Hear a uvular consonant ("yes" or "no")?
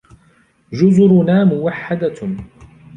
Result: no